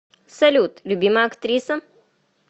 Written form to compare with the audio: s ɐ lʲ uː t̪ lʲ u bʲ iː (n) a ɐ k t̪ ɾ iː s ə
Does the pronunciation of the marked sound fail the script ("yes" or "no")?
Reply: yes